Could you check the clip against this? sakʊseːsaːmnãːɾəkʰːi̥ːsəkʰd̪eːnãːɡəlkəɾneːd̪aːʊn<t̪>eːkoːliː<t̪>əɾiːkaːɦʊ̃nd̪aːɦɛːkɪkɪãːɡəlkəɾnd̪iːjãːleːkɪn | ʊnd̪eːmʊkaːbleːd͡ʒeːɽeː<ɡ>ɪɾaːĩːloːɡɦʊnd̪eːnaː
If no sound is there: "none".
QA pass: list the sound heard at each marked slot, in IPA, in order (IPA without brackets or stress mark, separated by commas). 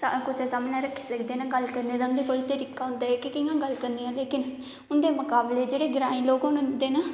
d̪, t̪, ɡ